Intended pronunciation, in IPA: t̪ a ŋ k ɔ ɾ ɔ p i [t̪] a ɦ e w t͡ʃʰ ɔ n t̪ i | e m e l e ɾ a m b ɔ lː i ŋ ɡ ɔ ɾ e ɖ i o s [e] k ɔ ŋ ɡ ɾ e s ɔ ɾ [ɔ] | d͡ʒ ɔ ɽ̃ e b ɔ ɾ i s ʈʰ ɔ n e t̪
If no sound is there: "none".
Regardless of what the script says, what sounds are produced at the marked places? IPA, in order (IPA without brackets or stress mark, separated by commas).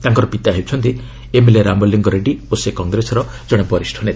t̪, e, ɔ